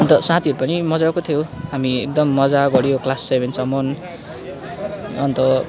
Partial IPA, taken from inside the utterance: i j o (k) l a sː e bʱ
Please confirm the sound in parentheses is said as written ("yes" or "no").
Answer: yes